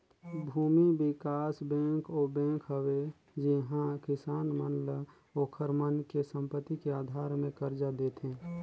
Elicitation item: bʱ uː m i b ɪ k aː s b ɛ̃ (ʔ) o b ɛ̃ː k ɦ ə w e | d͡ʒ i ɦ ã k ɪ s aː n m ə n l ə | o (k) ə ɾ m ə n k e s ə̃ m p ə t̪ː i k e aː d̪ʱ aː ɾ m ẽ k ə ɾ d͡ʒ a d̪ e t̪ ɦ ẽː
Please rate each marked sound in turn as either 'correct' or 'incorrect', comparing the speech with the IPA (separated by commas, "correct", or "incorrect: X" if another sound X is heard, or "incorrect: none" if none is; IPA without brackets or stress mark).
incorrect: k, incorrect: kʰ